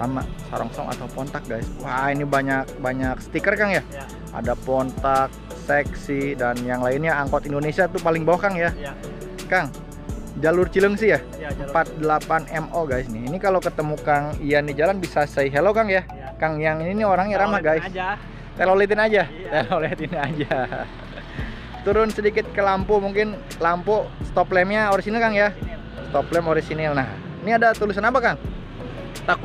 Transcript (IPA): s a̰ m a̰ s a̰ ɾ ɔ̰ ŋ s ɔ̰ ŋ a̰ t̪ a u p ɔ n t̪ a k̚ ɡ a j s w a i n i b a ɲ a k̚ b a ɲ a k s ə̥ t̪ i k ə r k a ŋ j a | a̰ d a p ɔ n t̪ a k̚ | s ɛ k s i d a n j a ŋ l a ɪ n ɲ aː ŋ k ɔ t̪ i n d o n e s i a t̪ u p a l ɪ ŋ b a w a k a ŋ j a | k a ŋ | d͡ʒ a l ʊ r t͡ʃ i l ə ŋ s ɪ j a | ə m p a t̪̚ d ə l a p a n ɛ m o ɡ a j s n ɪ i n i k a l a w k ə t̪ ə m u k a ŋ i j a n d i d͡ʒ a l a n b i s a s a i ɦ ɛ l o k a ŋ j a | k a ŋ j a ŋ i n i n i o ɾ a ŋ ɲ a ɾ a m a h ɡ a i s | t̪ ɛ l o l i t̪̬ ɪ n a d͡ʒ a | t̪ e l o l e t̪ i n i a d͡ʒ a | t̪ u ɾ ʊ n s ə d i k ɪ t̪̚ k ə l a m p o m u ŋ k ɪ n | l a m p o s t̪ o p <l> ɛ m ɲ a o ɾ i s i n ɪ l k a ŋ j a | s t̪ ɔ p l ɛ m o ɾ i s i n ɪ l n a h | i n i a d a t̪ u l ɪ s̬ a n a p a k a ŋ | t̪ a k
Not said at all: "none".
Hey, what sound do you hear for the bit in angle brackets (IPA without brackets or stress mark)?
l